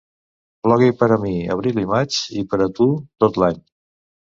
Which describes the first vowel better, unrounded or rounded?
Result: rounded